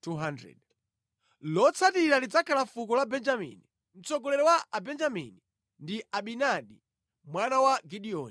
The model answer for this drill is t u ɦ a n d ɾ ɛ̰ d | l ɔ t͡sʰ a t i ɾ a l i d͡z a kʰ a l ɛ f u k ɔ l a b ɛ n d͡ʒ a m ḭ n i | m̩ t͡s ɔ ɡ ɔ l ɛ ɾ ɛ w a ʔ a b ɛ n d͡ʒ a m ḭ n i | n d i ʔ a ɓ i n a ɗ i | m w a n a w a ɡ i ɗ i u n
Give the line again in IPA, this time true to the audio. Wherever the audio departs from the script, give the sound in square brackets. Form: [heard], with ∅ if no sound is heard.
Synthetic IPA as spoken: t u ɦ a n d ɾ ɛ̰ d | l ɔ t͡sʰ a t i ɾ a l i d͡z a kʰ a l [a] f u k ɔ l a b ɛ n d͡ʒ a m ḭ n i | m̩ t͡s ɔ ɡ ɔ l ɛ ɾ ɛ w a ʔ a b ɛ n d͡ʒ a m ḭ n i | n d i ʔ a ɓ i n a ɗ i | m w a n a w a ɡ i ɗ i [ɔ] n

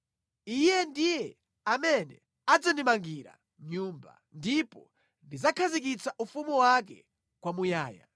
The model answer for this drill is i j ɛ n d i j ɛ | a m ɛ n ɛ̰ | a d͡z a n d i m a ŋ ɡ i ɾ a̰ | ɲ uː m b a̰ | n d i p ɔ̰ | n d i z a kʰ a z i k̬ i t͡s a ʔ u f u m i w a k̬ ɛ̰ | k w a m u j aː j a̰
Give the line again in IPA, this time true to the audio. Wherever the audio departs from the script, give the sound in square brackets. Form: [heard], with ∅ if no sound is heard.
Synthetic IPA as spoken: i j ɛ n d i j ɛ | a m ɛ n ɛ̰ | a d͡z a n d i m a ŋ ɡ i ɾ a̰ | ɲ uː m b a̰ | n d i p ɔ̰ | n d i z a kʰ a z i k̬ i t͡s a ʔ u f u m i w a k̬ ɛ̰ | k w a m u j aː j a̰

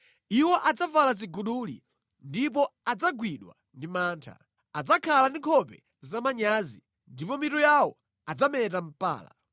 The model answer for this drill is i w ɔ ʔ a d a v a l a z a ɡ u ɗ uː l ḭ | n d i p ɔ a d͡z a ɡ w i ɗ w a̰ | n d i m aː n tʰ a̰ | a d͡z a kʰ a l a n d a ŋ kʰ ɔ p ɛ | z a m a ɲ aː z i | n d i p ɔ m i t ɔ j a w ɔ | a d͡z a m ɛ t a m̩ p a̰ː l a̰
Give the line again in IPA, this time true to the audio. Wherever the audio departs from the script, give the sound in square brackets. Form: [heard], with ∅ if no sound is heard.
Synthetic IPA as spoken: i w ɔ ʔ a [d͡z] a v a l a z [i] ɡ u ɗ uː l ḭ | n d i p ɔ a d͡z a ɡ w i ɗ w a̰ | n d i m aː n tʰ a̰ | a d͡z a kʰ a l a n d [i] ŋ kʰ ɔ p ɛ | z a m a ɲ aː z i | n d i p ɔ m i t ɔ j a w ɔ | a d͡z a m ɛ t a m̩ p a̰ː l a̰

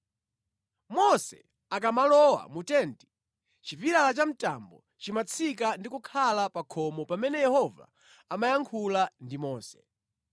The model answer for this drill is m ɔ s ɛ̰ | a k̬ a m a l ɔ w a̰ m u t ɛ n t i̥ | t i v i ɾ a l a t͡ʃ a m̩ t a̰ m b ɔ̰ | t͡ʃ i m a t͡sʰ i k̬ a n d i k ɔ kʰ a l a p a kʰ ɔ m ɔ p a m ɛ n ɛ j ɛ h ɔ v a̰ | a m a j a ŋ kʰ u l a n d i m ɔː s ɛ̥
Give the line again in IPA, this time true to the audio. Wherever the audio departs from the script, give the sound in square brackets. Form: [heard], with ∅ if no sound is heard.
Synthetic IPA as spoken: m ɔ s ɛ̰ | a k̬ a m a l ɔ w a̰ m u t ɛ n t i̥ | [t͡ʃ] i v i ɾ a l a t͡ʃ a m̩ t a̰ m b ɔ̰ | t͡ʃ i m a t͡sʰ i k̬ a n d i k [u] kʰ a l a p a kʰ ɔ m ɔ p a m ɛ n ɛ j ɛ h ɔ v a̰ | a m a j a ŋ kʰ u l a n d i m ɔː s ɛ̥

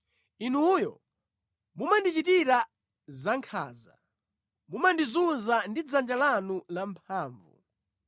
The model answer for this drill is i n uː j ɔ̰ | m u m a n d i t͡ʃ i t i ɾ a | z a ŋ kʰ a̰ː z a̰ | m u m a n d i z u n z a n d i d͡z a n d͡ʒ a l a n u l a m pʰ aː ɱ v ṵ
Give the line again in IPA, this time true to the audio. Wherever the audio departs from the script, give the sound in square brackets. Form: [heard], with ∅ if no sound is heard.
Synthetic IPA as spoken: i n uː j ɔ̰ | m u m a n d i t͡ʃ i t i ɾ a | z a ŋ kʰ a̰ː z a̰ | m u m a n d i z u n z a n d i d͡z a n d͡ʒ a l a n u l a m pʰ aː ɱ v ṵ

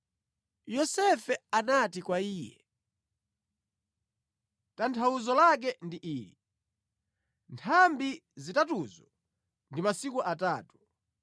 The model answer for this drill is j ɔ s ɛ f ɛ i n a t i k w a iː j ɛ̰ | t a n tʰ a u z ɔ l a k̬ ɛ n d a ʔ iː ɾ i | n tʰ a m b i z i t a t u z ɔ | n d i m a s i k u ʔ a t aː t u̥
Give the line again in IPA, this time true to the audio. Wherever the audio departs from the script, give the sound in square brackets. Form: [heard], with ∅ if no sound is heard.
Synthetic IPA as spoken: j ɔ s ɛ f ɛ [a] n a t i k w a iː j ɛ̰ | t a n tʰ a u z ɔ l a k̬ ɛ n d [i] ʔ iː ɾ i | n tʰ a m b i z i t a t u z ɔ | n d i m a s i k u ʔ a t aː t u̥

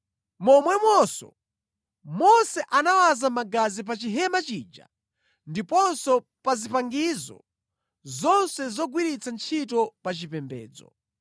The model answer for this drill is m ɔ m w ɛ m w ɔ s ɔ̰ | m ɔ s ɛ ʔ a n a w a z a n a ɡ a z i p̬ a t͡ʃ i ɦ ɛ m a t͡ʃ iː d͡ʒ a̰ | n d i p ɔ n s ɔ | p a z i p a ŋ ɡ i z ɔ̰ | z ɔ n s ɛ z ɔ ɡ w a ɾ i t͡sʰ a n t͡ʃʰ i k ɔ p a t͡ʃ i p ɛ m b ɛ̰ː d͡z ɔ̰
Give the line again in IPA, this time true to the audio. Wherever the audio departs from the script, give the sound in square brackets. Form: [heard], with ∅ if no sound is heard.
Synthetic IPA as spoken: m ɔ m w ɛ m w ɔ s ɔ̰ | m ɔ s ɛ ʔ a n a w a z a [m] a ɡ a z i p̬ a t͡ʃ i ɦ ɛ m a t͡ʃ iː d͡ʒ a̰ | n d i p ɔ n s ɔ | p a z i p a ŋ ɡ i z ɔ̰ | z ɔ n s ɛ z ɔ ɡ w [i] ɾ i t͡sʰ a n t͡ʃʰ i [t] ɔ p a t͡ʃ i p ɛ m b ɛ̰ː d͡z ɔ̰

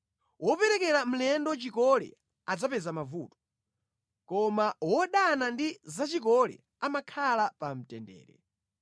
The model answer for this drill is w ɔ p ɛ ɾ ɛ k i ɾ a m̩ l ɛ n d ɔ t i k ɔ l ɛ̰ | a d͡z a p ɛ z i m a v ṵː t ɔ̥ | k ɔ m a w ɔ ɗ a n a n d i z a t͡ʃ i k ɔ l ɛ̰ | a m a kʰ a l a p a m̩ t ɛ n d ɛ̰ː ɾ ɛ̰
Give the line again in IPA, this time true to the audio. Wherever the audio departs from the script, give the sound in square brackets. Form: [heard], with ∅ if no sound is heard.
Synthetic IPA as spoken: w ɔ p ɛ ɾ ɛ k [ɛ] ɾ a m̩ l ɛ n d ɔ [t͡ʃ] i k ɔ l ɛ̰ | a d͡z a p ɛ z [a] m a v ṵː t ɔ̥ | k ɔ m a w ɔ ɗ a n a n d i z a t͡ʃ i k ɔ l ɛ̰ | a m a kʰ a l a p a m̩ t ɛ n d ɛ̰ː ɾ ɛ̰

